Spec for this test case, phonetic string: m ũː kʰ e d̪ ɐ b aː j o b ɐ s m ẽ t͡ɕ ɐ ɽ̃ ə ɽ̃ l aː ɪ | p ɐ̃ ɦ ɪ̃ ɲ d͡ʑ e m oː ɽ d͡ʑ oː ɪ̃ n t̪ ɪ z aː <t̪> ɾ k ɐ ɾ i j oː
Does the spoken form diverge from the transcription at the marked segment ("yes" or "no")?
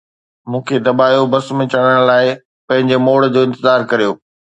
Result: yes